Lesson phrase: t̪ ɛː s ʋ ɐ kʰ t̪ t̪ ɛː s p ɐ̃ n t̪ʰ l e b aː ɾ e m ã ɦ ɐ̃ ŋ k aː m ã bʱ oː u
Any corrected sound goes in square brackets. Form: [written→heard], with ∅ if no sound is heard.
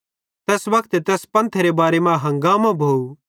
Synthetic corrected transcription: t̪ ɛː s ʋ ɐ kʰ t̪ t̪ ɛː s p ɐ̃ n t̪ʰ [l→ɾ] e b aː ɾ e m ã ɦ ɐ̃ ŋ [k→ɡ] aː m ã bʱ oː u